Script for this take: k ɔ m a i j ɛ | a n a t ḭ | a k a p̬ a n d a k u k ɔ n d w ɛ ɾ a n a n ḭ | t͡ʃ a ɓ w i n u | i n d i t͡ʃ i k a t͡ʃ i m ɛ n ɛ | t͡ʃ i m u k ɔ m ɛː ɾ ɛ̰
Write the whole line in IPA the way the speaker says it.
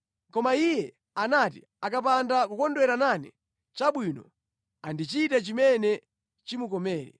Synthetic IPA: k ɔ m a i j ɛ | a n a t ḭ | a k a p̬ a n d a k u k ɔ n d w ɛ ɾ a n a n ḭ | t͡ʃ a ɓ w i n ɔ | a n d i t͡ʃ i t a t͡ʃ i m ɛ n ɛ | t͡ʃ i m u k ɔ m ɛː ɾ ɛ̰